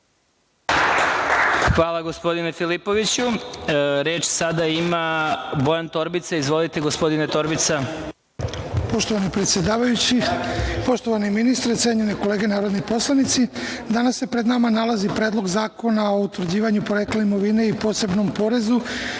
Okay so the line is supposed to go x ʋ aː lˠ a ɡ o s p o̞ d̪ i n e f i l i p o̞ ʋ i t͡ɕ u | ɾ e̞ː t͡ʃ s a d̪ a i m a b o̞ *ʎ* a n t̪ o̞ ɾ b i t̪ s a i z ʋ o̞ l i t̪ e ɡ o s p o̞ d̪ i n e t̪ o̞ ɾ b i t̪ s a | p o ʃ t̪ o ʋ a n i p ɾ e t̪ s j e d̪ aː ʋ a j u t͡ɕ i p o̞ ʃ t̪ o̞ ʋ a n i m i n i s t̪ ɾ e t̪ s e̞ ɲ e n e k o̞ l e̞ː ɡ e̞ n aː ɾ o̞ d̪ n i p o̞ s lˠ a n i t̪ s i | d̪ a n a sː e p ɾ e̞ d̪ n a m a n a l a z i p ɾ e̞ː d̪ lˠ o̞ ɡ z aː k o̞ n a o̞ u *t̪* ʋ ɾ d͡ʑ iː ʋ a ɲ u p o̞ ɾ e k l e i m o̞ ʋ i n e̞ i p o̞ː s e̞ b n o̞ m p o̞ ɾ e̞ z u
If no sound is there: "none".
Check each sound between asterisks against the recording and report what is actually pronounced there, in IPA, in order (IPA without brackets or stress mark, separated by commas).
j, t̪